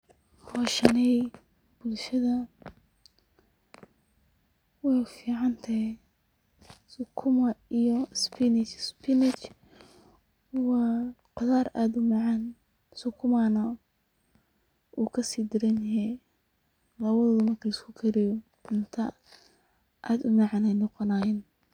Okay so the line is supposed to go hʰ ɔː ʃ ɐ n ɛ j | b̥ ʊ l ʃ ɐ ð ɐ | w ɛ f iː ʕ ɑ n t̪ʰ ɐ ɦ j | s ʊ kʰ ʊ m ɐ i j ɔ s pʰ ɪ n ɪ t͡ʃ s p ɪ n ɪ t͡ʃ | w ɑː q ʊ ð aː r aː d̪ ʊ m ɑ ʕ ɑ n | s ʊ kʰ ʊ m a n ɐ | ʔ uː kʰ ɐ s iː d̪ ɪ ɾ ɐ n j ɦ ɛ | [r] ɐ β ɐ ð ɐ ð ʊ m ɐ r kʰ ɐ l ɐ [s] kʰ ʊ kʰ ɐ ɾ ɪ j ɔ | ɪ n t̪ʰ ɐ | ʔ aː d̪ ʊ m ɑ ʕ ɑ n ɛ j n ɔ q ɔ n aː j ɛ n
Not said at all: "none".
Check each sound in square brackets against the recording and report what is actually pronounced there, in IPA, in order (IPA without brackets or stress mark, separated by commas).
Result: l, s